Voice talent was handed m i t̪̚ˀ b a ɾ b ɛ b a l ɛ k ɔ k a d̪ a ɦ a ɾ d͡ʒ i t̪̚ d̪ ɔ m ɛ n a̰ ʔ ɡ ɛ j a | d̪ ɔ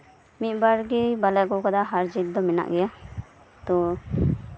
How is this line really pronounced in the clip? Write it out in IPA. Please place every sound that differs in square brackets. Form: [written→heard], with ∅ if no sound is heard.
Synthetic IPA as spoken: m i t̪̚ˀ b a ɾ [b→ɡ] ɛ b a l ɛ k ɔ k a d̪ a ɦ a ɾ d͡ʒ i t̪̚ d̪ ɔ m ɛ n a̰ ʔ ɡ ɛ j a | [d̪→t̪] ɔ